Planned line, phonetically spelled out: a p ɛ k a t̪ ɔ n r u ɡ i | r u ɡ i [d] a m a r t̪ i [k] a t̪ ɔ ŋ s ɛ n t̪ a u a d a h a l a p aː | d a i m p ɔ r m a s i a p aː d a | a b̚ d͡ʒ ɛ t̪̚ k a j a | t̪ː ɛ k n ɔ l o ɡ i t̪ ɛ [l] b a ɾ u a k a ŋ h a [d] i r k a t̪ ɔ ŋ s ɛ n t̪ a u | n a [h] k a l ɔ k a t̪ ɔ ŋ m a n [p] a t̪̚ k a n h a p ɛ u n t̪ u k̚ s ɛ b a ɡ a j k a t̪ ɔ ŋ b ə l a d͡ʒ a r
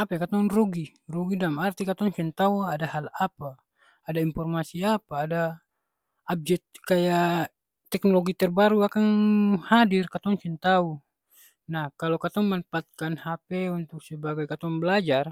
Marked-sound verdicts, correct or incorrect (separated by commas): correct, correct, incorrect, correct, correct, correct